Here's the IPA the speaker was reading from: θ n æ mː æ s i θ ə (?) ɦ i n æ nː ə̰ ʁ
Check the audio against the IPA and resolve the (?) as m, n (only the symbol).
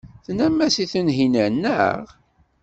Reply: n